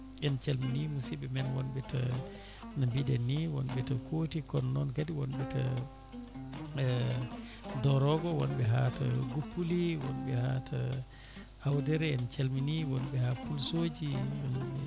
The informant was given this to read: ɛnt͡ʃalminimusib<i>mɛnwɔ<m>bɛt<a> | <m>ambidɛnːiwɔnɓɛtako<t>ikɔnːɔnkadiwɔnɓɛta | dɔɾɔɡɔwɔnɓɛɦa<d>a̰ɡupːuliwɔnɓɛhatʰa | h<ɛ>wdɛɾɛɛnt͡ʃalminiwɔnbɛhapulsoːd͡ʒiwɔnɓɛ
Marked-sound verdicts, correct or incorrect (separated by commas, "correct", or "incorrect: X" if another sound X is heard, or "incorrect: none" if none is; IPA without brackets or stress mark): incorrect: ɛ, incorrect: n, correct, incorrect: n, correct, incorrect: t, incorrect: a